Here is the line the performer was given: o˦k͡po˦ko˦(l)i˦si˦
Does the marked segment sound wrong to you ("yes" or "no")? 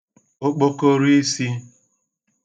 yes